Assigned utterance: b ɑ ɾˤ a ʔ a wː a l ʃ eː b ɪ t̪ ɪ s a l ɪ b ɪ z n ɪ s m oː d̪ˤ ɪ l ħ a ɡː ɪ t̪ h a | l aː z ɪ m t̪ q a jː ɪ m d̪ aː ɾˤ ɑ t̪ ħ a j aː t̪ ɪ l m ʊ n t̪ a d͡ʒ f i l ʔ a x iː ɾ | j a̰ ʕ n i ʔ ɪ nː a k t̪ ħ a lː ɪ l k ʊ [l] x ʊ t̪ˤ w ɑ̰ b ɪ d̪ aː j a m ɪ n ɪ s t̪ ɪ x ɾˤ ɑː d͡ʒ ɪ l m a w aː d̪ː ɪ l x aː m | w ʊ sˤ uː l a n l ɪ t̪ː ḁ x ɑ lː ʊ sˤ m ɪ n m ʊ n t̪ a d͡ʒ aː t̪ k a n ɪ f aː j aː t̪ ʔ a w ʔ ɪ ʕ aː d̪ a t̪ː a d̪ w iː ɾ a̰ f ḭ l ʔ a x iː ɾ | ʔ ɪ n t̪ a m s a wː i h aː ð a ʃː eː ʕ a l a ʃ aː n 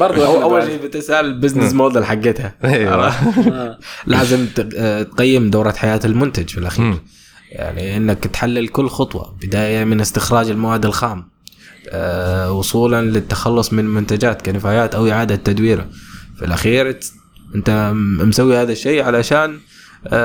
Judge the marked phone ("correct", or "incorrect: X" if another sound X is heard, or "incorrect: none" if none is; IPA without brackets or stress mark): incorrect: lː